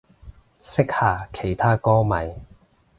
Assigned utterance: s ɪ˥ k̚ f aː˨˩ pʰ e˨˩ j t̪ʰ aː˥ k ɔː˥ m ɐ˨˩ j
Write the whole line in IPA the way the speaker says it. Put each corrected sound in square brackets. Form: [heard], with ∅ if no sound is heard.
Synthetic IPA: s ɪ˥ k̚ [h] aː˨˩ [kʰ] e˨˩ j t̪ʰ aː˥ k ɔː˥ m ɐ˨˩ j